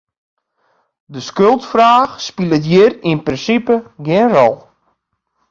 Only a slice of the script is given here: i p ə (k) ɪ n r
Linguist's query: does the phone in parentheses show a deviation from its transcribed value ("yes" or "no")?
yes